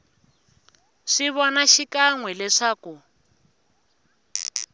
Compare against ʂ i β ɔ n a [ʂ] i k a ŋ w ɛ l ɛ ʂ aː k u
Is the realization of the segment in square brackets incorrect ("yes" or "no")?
yes